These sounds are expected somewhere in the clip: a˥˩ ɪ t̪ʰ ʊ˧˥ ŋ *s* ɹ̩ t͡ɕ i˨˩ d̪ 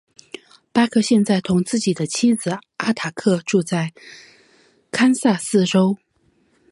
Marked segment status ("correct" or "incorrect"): incorrect